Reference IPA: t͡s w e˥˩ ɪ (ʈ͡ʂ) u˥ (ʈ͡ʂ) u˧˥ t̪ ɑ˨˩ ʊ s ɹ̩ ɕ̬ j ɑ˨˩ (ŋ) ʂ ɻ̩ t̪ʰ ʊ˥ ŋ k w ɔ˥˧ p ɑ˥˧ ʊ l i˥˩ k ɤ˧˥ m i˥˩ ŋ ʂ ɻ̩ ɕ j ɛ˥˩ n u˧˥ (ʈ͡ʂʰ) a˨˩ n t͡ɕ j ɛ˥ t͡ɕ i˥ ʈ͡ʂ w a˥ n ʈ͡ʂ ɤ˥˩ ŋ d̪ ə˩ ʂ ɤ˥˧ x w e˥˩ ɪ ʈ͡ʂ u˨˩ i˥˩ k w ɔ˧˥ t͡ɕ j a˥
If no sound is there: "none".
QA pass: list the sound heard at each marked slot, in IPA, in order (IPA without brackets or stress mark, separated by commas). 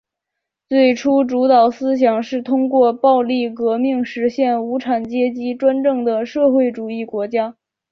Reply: ʈ͡ʂʰ, ʈ͡ʂ, ŋ, ʈ͡ʂʰ